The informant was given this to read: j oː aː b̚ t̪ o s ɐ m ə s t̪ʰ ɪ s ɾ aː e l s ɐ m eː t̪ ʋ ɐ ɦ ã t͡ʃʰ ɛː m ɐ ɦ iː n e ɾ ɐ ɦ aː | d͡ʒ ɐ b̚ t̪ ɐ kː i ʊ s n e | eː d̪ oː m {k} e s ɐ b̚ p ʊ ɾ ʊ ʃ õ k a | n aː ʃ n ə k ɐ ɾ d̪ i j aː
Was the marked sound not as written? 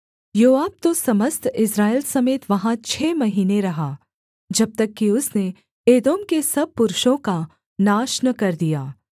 no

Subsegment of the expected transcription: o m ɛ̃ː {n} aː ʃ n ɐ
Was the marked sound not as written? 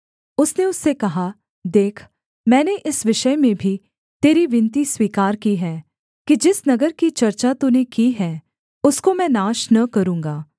no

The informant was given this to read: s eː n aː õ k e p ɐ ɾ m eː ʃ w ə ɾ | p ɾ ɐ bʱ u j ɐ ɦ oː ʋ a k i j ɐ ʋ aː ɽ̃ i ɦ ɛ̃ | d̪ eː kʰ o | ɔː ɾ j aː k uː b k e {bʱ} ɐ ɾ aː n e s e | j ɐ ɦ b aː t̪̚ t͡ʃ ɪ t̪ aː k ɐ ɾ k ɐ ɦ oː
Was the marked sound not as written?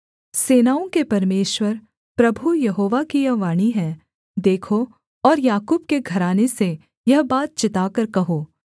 yes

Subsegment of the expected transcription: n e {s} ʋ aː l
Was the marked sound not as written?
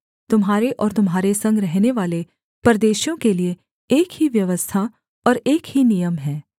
yes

